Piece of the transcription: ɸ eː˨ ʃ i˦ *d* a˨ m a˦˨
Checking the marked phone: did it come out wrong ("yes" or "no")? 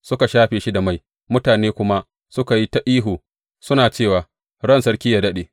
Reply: no